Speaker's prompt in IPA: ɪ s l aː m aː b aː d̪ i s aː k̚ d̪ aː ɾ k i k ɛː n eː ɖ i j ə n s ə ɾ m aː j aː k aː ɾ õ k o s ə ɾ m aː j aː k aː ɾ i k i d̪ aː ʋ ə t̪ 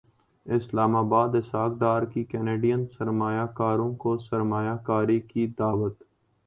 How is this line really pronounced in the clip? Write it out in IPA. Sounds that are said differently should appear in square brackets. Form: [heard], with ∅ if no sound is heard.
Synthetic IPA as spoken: ɪ s l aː m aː b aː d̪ [ɪ] s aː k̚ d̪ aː ɾ k i k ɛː n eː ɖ i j ə n s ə ɾ m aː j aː k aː ɾ õ k o s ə ɾ m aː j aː k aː ɾ i k i d̪ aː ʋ ə t̪